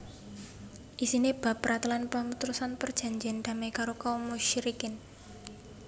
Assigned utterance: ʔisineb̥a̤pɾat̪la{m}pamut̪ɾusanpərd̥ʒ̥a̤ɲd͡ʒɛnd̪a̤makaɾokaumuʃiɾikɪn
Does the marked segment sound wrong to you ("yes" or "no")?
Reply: yes